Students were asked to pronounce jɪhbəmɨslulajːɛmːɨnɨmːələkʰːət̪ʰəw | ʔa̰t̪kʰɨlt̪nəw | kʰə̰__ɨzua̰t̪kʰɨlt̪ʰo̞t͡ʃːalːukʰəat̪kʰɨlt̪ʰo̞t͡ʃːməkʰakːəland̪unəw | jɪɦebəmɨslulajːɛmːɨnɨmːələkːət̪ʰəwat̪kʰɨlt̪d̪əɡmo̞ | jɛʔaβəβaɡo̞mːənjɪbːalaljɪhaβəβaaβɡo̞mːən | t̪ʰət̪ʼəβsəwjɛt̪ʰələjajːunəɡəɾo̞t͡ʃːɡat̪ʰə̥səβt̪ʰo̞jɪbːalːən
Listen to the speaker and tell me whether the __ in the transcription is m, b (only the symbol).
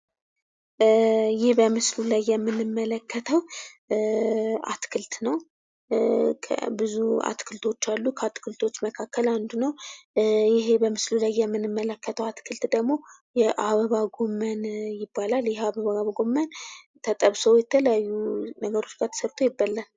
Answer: b